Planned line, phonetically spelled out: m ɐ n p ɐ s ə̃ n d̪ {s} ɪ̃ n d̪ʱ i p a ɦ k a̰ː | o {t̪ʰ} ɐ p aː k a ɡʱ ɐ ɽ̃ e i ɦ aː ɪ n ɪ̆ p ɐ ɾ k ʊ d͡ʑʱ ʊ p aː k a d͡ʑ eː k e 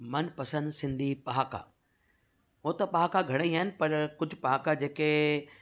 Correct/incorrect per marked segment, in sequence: correct, incorrect

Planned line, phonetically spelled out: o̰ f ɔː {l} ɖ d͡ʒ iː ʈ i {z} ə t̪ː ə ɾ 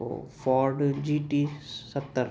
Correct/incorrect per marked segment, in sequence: incorrect, incorrect

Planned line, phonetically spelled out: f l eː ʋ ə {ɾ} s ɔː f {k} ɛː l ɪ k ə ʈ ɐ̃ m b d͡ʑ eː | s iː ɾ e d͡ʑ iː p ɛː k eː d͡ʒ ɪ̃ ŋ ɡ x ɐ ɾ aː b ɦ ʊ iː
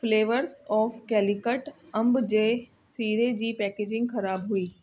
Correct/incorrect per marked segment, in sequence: correct, correct

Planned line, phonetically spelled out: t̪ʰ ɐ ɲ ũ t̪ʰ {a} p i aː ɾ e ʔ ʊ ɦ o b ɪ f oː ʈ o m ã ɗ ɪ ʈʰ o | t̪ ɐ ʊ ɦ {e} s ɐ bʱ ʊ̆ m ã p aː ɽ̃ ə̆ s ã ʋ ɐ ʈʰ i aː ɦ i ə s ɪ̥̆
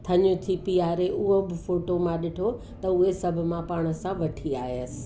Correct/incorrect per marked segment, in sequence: incorrect, correct

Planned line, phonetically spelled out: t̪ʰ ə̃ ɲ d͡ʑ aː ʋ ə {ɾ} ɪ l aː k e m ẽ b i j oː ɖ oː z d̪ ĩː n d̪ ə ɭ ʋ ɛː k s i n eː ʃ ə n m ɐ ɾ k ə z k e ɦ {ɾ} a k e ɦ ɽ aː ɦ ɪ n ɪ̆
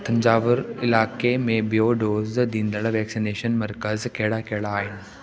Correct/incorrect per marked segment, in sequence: correct, incorrect

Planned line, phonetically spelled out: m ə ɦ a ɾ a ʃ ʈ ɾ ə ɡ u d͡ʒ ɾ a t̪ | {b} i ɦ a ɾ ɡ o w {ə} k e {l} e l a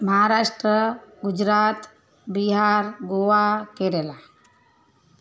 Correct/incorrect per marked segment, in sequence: correct, incorrect, incorrect

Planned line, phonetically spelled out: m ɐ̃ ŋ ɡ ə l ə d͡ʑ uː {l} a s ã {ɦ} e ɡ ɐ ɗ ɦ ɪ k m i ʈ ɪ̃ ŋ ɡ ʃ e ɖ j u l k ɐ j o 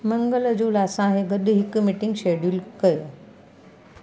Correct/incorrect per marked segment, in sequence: correct, correct

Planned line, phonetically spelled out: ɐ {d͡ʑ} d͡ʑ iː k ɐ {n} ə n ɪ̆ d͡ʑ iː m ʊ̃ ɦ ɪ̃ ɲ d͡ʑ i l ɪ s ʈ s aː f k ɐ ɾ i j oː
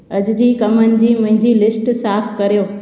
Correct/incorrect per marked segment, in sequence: correct, incorrect

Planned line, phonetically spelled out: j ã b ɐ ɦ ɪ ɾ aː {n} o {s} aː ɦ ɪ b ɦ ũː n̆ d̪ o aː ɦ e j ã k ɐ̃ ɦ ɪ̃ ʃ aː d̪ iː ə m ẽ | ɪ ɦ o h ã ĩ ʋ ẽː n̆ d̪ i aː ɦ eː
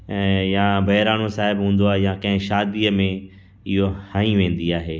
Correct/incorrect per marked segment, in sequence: correct, correct

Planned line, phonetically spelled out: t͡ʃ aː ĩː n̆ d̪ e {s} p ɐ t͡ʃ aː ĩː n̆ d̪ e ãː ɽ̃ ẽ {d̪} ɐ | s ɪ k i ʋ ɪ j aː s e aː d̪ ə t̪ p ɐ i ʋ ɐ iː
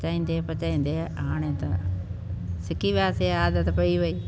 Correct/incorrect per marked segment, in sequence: incorrect, incorrect

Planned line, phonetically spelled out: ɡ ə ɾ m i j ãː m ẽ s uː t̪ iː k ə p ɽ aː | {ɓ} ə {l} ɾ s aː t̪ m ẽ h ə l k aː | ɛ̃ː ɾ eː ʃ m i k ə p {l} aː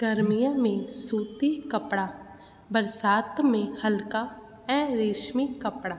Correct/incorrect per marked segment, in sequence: incorrect, incorrect, incorrect

